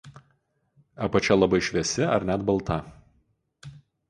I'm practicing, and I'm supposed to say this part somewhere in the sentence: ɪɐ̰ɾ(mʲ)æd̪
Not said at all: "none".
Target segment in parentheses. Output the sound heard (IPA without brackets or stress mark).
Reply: nʲ